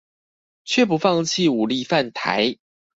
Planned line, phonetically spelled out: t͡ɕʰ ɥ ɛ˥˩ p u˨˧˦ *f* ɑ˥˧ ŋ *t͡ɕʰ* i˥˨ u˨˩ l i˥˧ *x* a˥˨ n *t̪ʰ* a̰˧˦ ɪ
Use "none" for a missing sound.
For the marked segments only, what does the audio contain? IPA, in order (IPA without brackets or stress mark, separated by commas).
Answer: f, t͡ɕʰ, f, t̪ʰ